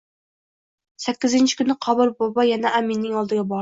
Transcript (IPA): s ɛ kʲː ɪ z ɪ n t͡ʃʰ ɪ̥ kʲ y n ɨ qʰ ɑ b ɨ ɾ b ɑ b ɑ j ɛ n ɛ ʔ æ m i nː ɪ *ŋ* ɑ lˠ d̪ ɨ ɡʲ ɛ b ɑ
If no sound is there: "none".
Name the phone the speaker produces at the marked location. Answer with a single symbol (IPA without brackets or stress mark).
ŋ